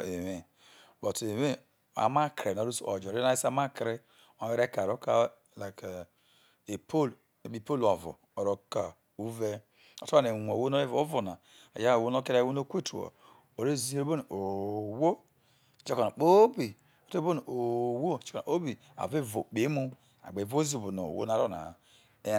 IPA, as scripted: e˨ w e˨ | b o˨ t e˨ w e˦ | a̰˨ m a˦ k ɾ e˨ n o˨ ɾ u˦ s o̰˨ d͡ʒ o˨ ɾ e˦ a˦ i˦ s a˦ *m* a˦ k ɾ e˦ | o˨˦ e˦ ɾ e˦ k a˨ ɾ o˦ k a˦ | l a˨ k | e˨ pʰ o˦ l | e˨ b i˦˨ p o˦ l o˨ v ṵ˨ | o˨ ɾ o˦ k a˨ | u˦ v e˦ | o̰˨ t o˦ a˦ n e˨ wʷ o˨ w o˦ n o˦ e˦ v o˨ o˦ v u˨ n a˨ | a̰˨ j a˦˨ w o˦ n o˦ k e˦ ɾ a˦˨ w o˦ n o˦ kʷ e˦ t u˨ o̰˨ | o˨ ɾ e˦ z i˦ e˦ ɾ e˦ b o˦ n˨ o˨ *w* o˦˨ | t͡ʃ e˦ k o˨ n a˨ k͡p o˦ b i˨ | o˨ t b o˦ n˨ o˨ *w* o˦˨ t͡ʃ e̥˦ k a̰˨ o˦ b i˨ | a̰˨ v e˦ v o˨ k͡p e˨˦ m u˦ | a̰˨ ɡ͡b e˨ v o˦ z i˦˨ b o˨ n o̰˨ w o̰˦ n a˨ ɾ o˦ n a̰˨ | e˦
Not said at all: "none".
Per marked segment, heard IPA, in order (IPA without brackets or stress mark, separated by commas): m, w, w